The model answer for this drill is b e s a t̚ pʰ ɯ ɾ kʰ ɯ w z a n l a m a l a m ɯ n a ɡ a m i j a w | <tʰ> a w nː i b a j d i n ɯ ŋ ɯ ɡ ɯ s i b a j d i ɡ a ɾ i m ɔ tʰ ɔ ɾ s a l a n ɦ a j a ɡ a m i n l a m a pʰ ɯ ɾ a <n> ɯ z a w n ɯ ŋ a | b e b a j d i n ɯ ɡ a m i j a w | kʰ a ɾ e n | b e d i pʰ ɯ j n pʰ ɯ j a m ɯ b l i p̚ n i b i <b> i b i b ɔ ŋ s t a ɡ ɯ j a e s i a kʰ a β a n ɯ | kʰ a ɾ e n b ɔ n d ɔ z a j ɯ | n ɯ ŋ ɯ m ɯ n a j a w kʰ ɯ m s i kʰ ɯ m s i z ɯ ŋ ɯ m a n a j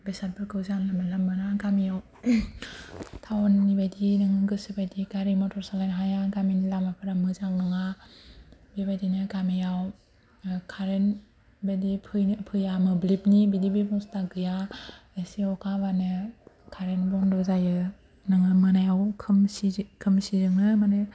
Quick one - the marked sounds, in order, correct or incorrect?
correct, incorrect: m, incorrect: d

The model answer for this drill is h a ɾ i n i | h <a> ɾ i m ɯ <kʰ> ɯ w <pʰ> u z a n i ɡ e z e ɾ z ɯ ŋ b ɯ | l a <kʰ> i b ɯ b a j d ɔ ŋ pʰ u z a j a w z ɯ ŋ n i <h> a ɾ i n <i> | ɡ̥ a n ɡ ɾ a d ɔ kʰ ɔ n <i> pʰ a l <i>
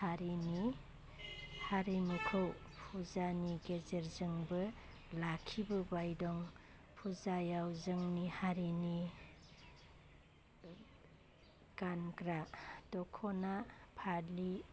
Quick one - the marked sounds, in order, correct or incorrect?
correct, correct, correct, correct, correct, correct, incorrect: a, correct

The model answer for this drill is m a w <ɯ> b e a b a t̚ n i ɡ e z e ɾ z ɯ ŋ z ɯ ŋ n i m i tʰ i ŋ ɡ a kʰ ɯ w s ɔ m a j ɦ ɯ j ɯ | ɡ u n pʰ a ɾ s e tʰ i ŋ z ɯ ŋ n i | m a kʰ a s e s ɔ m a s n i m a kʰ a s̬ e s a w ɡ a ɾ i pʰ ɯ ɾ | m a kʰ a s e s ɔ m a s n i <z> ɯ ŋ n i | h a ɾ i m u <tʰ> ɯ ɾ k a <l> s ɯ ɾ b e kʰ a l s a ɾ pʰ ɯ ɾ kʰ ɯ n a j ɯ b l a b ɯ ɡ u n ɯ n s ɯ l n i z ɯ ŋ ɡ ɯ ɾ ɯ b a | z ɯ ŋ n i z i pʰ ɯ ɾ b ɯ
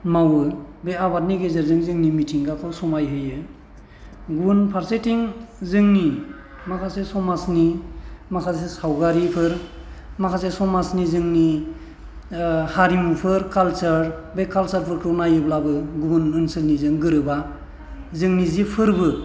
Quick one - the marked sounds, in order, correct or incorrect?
correct, correct, incorrect: pʰ, correct

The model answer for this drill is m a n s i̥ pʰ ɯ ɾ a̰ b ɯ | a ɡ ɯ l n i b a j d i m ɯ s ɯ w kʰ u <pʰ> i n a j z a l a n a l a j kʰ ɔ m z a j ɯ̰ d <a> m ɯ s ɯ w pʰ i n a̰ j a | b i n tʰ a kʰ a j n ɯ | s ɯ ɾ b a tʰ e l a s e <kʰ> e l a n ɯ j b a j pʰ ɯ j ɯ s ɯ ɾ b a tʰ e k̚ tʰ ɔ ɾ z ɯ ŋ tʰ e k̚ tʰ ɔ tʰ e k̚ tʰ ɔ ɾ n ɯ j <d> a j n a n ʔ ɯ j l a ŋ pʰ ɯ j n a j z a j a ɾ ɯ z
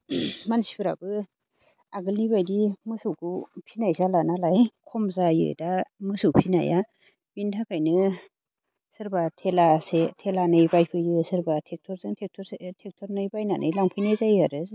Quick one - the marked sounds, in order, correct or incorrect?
correct, correct, incorrect: tʰ, incorrect: b

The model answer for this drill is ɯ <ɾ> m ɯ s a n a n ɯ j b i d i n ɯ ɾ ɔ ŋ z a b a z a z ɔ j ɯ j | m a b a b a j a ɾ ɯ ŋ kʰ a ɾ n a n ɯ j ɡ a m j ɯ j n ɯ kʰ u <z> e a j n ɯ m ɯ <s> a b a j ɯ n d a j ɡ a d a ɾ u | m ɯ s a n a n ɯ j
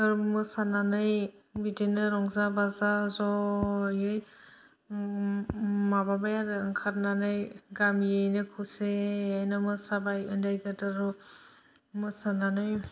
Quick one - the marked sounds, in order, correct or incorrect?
correct, incorrect: s, correct

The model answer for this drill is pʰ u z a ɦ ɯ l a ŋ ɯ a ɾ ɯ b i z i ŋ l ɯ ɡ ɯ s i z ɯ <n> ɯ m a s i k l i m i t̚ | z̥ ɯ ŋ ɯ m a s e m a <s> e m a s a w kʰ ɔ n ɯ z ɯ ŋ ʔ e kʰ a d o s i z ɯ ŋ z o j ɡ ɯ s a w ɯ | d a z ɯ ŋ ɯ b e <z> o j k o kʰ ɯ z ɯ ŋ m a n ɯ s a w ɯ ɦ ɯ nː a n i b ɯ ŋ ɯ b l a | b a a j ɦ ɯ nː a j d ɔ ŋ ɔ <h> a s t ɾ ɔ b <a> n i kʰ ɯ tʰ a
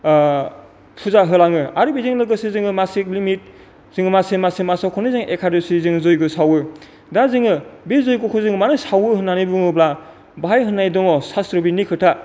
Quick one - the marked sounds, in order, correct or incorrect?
incorrect: ŋ, correct, correct, incorrect: s, incorrect: i

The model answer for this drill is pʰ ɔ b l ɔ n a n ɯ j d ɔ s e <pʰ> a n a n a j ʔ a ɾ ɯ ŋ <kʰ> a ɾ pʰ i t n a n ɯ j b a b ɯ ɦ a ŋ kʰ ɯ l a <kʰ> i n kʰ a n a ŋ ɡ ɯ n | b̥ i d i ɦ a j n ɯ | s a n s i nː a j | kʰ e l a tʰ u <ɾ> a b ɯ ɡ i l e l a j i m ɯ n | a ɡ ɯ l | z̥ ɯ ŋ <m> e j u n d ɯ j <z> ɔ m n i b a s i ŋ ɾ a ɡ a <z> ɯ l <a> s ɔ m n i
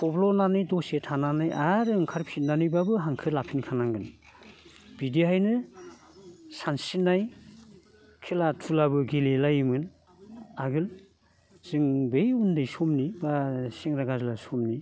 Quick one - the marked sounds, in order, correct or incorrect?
incorrect: tʰ, correct, incorrect: pʰ, incorrect: l, incorrect: b, incorrect: s, correct, correct

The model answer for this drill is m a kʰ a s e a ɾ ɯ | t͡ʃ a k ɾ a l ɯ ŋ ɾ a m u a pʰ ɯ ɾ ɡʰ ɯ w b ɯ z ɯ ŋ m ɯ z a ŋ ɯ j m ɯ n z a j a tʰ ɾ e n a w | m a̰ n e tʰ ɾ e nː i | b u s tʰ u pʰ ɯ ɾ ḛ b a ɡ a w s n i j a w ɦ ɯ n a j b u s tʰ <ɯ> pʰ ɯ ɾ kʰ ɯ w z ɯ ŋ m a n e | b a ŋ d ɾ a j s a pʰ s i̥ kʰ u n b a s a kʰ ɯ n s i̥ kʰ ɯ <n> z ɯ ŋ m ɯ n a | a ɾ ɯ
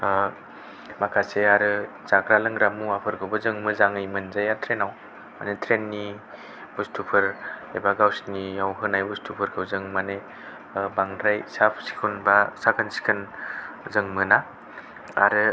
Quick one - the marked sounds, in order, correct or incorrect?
incorrect: u, correct

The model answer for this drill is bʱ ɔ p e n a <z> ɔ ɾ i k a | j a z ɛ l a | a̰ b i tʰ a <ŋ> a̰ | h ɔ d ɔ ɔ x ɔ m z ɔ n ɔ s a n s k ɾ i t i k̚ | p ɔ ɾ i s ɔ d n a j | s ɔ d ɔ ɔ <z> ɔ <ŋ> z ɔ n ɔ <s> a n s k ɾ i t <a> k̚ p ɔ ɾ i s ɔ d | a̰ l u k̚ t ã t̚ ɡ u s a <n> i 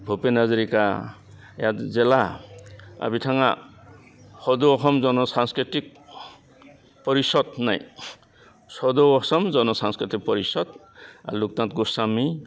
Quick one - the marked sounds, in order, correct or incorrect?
correct, correct, incorrect: s, incorrect: m, correct, incorrect: i, incorrect: m

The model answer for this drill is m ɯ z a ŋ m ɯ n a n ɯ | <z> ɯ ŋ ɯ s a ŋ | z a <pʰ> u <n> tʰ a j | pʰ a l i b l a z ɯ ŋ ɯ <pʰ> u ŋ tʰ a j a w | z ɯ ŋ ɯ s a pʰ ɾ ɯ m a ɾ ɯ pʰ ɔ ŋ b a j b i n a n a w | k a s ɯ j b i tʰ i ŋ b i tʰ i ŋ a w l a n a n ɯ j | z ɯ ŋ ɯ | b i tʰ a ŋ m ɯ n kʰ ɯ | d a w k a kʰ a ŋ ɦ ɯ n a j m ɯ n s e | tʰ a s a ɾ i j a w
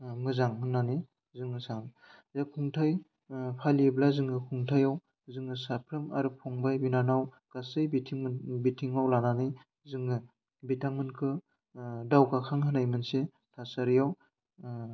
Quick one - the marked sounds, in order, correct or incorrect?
correct, incorrect: kʰ, incorrect: ŋ, incorrect: kʰ

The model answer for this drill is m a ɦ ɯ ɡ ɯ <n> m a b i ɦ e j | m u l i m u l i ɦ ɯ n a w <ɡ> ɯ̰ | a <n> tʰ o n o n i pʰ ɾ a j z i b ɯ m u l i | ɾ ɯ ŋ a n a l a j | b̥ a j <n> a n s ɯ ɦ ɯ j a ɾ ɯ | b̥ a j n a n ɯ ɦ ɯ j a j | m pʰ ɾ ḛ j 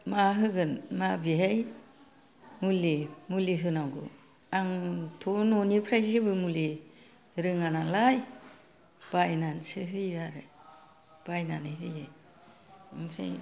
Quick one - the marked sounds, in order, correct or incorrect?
correct, correct, incorrect: ŋ, correct

